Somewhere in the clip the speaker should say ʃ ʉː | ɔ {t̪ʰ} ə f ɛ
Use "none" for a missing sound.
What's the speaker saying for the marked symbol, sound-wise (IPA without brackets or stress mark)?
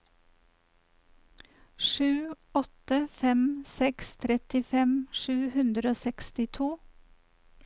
t̪